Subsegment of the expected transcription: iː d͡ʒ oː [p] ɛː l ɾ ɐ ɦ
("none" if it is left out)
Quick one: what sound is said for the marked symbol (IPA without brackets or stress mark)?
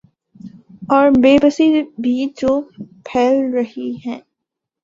pʰ